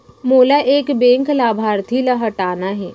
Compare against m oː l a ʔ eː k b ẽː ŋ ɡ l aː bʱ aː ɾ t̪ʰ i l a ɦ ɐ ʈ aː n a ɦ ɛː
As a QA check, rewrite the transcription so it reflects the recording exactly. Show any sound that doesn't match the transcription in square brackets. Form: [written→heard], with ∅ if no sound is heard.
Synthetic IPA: m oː l a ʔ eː k b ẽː ŋ [ɡ→k] l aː bʱ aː ɾ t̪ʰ i l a ɦ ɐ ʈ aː n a ɦ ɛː